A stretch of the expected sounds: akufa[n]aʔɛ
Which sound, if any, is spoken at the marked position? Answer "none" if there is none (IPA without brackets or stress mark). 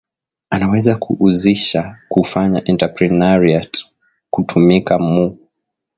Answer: ɲ